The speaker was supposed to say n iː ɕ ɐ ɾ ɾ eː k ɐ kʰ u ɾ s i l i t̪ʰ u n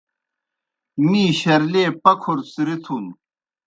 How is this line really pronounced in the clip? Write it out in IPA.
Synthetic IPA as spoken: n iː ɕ ɐ ɾ l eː p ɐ kʰ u ɾ s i ɾ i t̪ʰ u n